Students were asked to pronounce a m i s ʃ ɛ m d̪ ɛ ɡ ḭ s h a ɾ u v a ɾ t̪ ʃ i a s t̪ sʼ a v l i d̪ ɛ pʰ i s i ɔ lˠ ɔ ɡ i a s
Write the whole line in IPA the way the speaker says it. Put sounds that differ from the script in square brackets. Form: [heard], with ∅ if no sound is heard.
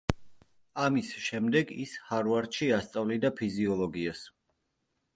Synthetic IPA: a m i s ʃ ɛ m d̪ ɛ ɡ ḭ s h a ɾ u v a ɾ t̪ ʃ i a s t̪ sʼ a v l i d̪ [a] pʰ i [z] i ɔ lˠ ɔ ɡ i a s